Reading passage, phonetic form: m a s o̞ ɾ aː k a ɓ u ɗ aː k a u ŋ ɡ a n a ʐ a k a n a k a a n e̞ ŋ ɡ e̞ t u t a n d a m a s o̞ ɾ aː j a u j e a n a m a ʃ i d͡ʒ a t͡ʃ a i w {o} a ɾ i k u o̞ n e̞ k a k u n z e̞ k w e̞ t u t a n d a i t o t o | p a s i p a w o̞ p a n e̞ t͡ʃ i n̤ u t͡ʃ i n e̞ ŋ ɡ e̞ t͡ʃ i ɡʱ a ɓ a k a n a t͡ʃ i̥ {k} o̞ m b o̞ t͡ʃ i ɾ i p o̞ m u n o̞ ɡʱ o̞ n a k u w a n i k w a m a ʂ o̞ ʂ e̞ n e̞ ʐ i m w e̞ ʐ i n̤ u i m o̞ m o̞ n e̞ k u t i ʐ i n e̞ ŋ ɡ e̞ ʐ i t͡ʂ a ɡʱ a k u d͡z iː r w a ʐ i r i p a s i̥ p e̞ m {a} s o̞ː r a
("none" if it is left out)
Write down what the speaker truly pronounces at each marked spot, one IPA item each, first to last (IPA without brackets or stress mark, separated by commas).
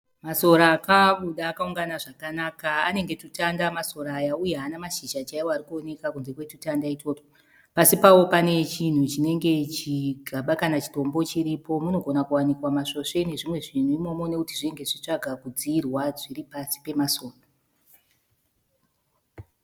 o, t, a